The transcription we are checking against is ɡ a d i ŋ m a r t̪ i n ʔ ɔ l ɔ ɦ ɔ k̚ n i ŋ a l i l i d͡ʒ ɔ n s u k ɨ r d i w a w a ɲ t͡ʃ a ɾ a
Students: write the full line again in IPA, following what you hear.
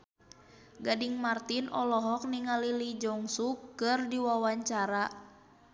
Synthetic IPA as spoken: ɡ a d i ŋ m a r t̪ i n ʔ ɔ l ɔ ɦ ɔ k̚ n i ŋ a l i l i d͡ʒ ɔ ŋ s u k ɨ r d i w a w a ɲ t͡ʃ a ɾ a